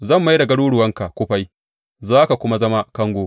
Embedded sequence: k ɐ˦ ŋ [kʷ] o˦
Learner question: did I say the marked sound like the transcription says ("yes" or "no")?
no